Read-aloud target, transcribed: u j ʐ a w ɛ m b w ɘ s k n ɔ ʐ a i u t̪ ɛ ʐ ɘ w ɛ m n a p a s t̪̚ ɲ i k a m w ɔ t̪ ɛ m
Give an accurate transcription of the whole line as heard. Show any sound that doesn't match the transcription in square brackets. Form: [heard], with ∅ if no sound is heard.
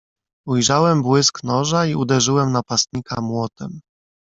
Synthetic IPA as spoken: u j ʐ a w ɛ m b w ɘ s k n ɔ ʐ a i u [d̪] ɛ ʐ ɘ w ɛ m n a p a s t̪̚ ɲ i k a m w ɔ t̪ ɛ m